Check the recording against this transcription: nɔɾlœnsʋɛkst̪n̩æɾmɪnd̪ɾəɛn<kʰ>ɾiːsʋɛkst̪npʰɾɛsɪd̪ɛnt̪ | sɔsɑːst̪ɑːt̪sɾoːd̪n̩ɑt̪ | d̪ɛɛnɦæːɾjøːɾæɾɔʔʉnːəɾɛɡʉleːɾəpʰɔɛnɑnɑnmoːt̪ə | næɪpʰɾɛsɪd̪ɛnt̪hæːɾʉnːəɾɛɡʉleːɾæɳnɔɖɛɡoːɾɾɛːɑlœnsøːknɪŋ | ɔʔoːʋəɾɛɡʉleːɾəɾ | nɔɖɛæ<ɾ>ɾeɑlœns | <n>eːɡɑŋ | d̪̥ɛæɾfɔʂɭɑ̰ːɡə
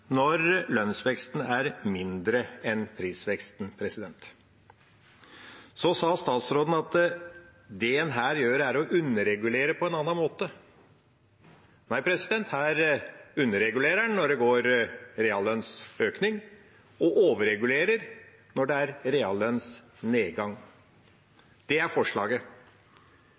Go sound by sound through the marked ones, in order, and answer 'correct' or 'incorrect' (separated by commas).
incorrect, correct, correct